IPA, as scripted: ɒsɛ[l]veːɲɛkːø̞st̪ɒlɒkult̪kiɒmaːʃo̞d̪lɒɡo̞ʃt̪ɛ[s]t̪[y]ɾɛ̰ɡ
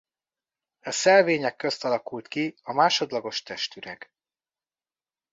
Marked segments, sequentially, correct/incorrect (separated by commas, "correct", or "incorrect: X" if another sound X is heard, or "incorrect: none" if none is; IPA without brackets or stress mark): correct, incorrect: ʃ, correct